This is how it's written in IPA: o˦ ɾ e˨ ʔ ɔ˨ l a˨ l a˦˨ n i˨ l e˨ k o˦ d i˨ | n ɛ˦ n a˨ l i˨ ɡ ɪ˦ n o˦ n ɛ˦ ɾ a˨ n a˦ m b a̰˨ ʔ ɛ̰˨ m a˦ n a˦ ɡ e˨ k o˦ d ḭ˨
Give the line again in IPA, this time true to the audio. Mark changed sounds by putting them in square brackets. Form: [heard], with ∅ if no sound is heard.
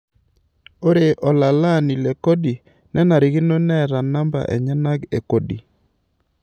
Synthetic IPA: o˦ ɾ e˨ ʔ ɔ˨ l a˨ l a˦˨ n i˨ l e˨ k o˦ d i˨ | n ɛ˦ n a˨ [ɾ] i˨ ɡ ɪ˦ n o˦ n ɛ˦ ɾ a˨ n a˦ m b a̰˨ ʔ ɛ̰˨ [ɲ] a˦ n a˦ ɡ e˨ k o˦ d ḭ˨